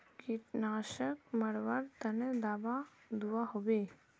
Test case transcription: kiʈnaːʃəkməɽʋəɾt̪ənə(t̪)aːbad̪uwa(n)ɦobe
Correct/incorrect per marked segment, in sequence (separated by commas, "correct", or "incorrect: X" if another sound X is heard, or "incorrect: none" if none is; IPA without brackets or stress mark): incorrect: d̪, incorrect: none